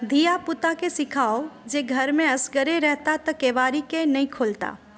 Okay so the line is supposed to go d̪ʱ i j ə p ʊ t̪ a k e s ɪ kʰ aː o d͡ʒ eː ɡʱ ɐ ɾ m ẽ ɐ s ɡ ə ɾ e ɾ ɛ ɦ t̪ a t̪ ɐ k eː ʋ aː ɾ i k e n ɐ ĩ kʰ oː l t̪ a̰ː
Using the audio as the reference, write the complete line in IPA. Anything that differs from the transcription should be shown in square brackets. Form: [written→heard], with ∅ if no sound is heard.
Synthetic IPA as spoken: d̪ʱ i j [ə→a] p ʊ t̪ a k e s ɪ kʰ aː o d͡ʒ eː ɡʱ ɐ ɾ m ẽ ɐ s ɡ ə ɾ e ɾ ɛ ɦ t̪ a t̪ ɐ k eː ʋ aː ɾ i k e n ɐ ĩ kʰ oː l t̪ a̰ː